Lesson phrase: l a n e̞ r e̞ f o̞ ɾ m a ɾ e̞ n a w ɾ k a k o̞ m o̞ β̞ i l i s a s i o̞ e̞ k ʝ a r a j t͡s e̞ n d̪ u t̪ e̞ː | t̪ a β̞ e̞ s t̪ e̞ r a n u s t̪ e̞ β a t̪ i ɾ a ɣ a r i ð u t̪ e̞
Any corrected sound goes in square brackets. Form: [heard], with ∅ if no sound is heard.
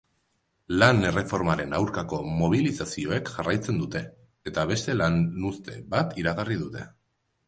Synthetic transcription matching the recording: l a n e̞ r e̞ f o̞ ɾ m a ɾ e̞ n a w ɾ k a k o̞ m o̞ β̞ i l i s a s i o̞ e̞ k ʝ a r a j t͡s e̞ n d̪ u t̪ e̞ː | t̪ a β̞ e̞ s t̪ e̞ [l] a n u s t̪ e̞ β a t̪ i ɾ a ɣ a r i ð u t̪ e̞